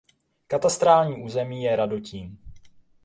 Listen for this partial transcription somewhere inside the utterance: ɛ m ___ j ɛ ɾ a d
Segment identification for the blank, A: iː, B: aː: A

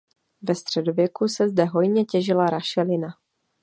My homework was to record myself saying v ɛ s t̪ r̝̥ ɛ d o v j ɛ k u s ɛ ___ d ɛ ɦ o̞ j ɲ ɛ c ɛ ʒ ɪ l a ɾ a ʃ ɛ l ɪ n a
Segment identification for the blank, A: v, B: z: B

